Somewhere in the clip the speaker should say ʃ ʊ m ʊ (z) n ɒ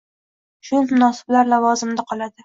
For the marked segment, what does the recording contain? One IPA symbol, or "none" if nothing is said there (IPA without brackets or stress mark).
none